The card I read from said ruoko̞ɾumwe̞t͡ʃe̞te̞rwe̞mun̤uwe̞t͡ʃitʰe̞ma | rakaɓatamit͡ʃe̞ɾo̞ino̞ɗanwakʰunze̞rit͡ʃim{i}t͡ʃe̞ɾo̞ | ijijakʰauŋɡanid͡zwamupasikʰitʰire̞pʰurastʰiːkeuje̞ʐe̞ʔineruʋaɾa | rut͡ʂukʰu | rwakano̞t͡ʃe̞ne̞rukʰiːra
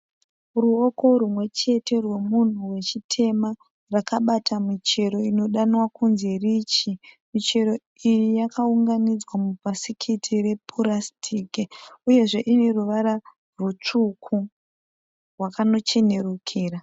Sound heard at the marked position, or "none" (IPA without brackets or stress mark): i